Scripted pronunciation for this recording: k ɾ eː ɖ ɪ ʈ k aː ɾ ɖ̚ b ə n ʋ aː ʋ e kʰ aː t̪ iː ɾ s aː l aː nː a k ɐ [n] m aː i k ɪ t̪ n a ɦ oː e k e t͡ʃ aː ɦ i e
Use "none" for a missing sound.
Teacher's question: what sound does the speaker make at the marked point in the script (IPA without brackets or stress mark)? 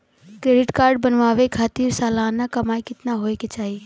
none